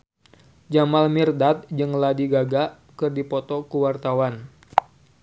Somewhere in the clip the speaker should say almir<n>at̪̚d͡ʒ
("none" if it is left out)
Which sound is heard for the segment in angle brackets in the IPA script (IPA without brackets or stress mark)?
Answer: d